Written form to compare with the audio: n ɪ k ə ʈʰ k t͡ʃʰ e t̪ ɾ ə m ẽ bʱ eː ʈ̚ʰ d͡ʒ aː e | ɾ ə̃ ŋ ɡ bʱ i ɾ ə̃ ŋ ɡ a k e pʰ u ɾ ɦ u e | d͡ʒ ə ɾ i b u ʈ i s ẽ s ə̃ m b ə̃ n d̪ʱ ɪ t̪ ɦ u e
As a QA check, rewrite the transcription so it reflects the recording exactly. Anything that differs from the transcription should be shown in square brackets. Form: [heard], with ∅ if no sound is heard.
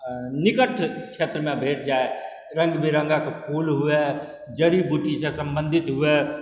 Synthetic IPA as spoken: n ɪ k ə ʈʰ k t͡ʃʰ e t̪ ɾ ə m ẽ bʱ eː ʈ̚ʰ d͡ʒ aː e | ɾ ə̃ ŋ ɡ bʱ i ɾ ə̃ ŋ ɡ a k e pʰ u [l] ɦ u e | d͡ʒ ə ɾ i b u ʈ i s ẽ s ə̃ m b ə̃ n d̪ʱ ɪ t̪ ɦ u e